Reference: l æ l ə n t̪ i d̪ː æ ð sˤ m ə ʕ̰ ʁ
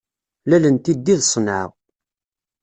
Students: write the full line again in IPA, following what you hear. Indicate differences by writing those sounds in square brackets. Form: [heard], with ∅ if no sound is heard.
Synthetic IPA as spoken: l æ l ə n t̪ i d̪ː [i] ð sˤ [n] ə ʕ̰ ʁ

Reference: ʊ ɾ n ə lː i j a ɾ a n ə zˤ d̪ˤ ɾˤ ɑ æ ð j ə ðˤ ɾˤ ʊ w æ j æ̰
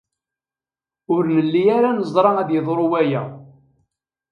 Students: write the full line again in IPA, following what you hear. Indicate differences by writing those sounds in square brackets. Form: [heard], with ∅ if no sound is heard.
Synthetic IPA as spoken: ʊ ɾ n ə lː i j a ɾ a n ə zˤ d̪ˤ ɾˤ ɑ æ ð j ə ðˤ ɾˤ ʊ w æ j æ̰

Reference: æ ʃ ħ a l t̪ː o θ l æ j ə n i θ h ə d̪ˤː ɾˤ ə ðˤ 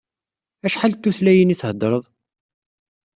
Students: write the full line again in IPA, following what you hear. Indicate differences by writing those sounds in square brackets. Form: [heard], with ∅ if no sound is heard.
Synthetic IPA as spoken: æ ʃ ħ a l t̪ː [u] θ l æ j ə n i θ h ə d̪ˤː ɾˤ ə ðˤ

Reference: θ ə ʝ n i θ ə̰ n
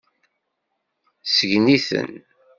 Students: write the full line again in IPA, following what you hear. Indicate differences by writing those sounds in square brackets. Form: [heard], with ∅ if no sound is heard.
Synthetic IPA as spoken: [s] ə ʝ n i θ ə̰ n

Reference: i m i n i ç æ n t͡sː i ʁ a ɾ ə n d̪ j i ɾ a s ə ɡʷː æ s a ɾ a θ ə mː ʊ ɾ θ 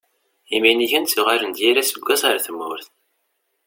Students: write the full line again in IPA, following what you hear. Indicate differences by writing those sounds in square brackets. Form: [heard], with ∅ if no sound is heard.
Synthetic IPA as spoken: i m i n i ç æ n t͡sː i ʁ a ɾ ə n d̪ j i ɾ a s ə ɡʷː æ s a ɾ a θ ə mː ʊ ɾ θ

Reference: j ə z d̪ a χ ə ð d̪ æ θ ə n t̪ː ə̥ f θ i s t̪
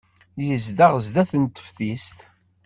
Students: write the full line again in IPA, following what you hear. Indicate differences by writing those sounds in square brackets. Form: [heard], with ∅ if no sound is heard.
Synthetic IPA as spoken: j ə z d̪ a [ʁ] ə [z] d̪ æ θ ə n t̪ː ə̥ f θ i s t̪

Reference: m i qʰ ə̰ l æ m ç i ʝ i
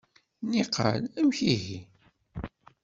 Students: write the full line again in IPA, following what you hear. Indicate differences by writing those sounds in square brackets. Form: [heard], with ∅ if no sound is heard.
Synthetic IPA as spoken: [n] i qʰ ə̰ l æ m ç i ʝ i

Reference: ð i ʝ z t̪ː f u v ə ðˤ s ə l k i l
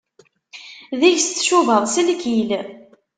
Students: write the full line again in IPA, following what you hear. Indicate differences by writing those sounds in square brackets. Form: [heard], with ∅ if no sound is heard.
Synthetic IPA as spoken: ð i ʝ [s] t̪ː [ʃ] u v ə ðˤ s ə l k i l

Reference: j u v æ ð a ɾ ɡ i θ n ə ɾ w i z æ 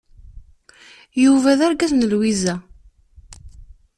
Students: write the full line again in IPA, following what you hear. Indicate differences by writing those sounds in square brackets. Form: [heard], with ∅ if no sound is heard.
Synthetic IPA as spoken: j u v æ ð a ɾ ɡ [æ] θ n ə [l] w i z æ

